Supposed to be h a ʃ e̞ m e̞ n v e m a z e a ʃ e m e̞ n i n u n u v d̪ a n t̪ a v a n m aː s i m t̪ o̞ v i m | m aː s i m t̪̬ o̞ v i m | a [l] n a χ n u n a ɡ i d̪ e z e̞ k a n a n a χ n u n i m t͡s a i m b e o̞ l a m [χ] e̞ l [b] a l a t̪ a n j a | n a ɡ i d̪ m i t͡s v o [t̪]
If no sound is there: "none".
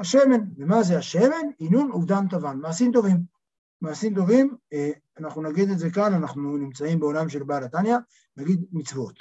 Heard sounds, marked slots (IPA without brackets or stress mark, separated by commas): none, ʃ, b, t̪